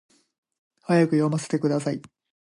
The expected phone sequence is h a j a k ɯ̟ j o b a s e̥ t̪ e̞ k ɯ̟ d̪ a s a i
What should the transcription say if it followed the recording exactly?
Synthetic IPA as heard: h a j a k ɯ̟ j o m a s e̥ t̪ e̞ k ɯ̟ d̪ a s a i